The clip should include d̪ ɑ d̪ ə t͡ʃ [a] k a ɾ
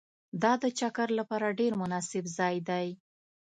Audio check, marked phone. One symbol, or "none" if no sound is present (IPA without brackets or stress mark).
a